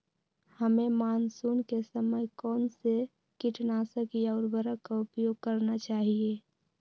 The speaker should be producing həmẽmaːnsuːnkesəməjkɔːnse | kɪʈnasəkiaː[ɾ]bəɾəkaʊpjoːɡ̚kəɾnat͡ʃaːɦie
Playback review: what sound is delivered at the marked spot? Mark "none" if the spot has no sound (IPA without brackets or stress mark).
ɾ